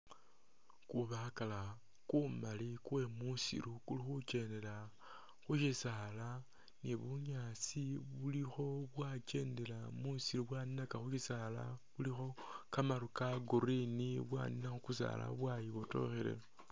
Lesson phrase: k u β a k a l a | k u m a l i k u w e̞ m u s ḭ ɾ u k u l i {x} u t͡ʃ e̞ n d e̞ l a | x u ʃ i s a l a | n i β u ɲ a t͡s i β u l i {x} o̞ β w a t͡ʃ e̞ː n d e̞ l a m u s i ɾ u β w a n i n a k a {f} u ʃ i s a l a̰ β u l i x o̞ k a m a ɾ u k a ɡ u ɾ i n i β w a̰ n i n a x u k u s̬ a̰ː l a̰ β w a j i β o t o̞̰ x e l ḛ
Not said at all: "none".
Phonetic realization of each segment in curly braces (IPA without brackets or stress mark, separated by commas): x, x, x